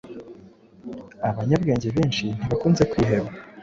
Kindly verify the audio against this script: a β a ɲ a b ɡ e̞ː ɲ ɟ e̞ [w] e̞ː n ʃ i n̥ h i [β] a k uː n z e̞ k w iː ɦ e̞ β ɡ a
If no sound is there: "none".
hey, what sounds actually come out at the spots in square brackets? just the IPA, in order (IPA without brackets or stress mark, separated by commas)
β, β